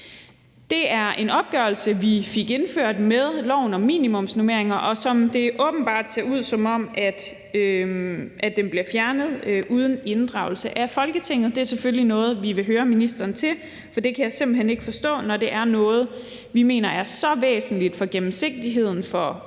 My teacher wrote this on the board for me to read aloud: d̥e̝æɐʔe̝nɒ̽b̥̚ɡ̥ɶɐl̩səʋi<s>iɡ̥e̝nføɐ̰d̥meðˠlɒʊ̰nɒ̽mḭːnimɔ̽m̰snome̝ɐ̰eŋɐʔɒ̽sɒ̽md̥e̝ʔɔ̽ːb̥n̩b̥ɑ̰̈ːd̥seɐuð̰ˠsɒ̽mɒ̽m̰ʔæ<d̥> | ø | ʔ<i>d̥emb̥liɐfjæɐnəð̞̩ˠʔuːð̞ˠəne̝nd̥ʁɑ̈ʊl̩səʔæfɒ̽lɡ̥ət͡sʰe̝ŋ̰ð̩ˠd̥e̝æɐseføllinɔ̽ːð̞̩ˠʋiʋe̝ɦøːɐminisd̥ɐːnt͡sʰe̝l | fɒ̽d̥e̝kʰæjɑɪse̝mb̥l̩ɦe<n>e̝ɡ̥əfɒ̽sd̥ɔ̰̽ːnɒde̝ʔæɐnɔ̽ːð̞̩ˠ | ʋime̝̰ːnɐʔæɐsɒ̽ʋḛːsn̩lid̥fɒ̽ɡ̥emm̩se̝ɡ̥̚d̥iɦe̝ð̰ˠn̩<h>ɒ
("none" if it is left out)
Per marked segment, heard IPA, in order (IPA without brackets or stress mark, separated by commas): f, d̥, æ, n, f